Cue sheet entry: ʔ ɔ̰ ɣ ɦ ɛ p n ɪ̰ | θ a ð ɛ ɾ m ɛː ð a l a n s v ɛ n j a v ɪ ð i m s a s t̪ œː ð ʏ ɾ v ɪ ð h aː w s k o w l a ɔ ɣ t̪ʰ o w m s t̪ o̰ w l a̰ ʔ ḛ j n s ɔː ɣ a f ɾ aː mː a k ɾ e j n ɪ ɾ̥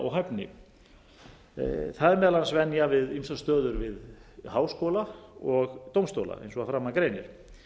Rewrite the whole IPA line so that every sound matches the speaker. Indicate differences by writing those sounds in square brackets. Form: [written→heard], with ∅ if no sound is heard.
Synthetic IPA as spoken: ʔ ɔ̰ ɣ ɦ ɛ p n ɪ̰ | θ a ð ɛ ɾ m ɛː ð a l a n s v ɛ n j a v ɪ ð i m s a s t̪ œː ð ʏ ɾ v ɪ ð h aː w s k o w l a ɔ ɣ [t̪ʰ→t̪] o w m s t̪ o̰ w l a̰ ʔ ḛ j n s [ɔː→ɔ] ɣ a f ɾ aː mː a k ɾ e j n ɪ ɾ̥